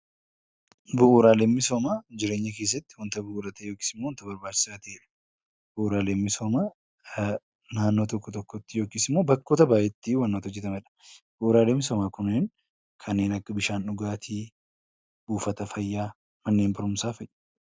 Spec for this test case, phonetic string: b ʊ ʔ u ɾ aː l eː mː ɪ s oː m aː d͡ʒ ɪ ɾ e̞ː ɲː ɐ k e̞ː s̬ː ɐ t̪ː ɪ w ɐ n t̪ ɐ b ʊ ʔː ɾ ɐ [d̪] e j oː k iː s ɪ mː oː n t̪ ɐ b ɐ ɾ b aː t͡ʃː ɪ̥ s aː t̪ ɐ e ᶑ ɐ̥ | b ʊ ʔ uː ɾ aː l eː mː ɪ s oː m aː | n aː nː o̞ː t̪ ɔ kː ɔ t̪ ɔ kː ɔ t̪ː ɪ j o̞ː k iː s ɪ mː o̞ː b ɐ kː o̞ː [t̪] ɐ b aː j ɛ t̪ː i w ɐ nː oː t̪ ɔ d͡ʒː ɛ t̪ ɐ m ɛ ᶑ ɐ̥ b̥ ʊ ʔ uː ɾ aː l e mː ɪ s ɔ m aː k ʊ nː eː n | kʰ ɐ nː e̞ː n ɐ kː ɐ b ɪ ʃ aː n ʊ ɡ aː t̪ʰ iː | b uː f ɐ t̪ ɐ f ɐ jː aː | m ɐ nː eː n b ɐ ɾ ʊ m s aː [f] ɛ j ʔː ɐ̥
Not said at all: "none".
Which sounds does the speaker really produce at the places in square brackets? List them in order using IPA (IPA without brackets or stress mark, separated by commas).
t̪, t̪, f